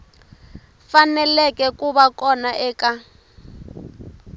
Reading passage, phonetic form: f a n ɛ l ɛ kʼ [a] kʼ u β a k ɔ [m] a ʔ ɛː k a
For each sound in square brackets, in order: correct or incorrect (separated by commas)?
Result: incorrect, incorrect